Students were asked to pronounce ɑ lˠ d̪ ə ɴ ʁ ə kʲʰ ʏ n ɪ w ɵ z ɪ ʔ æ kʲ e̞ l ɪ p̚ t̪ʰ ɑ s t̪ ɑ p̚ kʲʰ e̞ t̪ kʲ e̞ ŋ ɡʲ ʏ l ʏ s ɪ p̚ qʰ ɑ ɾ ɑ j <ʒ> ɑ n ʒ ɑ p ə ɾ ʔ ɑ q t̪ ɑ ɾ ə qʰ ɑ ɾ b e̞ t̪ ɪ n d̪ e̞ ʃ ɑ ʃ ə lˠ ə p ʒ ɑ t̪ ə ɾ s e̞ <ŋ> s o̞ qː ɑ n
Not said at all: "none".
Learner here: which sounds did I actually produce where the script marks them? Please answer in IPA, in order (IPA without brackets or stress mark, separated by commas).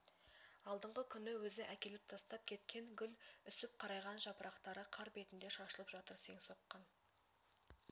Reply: ʁ, ŋ